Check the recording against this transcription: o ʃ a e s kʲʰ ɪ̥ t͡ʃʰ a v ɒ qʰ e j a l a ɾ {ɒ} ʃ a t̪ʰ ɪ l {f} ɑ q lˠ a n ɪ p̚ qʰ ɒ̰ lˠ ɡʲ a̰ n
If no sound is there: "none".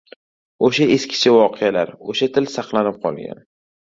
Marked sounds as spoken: o, s

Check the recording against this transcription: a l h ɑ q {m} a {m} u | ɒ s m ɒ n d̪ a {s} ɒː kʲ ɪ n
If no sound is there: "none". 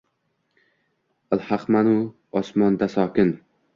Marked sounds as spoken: m, n, s

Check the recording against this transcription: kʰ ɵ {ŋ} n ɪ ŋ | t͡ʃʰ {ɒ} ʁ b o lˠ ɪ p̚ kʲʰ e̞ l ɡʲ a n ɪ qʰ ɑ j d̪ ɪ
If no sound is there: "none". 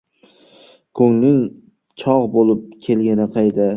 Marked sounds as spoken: ŋ, ɒ

